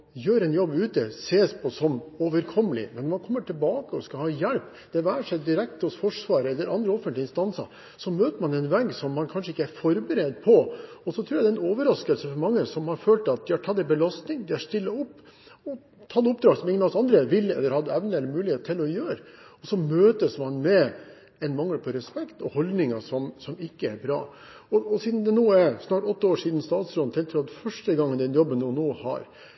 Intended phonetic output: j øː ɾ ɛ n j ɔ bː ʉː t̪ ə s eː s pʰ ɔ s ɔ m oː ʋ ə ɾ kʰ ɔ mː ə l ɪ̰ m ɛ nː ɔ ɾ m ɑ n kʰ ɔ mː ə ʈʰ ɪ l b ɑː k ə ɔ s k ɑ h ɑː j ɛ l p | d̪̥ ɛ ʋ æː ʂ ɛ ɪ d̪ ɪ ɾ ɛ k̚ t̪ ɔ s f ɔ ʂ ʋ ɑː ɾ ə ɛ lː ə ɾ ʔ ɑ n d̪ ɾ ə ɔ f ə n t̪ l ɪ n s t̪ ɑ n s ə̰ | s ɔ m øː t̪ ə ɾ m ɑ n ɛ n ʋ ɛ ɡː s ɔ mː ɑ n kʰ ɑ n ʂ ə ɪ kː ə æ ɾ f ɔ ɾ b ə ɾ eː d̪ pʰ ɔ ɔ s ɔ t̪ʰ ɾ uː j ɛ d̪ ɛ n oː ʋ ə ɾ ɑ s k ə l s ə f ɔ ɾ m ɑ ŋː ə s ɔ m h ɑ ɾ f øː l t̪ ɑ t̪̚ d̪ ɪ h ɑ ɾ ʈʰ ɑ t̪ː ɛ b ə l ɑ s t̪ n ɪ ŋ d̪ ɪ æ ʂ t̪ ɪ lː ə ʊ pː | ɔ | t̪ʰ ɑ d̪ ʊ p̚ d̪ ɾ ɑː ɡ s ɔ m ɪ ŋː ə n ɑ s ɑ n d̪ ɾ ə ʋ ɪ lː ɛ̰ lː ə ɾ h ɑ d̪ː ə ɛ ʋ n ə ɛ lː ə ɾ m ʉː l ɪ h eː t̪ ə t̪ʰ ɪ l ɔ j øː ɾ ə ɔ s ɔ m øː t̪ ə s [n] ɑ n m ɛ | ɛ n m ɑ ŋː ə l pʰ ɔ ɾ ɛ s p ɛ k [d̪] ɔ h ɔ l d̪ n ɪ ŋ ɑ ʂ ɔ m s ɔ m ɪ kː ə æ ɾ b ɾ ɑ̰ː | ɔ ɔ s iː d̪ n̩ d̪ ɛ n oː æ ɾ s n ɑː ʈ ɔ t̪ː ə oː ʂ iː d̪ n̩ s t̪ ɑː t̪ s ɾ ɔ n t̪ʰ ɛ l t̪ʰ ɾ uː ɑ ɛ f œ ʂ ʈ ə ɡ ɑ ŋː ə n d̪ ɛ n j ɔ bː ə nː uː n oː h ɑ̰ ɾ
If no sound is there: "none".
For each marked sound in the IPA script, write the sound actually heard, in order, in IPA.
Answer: m, t̪

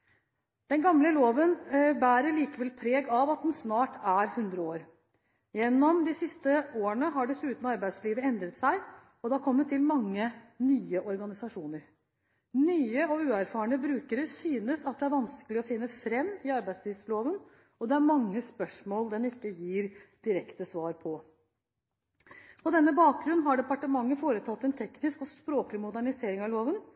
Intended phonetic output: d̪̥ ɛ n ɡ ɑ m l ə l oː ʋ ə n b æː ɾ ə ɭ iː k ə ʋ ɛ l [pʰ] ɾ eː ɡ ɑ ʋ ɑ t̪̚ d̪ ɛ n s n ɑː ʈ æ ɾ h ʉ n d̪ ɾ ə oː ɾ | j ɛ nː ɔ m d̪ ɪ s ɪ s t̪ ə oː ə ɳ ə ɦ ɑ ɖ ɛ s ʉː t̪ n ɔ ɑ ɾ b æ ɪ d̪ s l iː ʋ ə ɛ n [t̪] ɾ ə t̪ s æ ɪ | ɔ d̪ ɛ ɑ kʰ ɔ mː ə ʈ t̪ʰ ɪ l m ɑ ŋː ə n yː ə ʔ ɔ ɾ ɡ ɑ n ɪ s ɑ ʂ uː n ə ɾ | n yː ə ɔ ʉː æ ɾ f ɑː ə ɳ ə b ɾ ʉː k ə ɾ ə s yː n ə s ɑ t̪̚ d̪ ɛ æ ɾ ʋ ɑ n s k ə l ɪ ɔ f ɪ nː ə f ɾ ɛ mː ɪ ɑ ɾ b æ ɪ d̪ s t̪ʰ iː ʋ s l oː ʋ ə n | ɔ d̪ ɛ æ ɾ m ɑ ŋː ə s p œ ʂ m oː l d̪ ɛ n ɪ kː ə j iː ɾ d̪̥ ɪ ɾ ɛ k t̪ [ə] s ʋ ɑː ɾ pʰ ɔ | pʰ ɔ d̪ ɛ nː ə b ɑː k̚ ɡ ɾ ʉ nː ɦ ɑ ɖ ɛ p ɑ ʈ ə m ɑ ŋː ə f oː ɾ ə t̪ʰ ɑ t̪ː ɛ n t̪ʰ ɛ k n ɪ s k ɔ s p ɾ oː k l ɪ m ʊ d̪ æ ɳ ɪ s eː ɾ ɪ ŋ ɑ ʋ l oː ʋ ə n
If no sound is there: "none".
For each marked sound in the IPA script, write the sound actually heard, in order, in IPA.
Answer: pʰ, d̪, ə

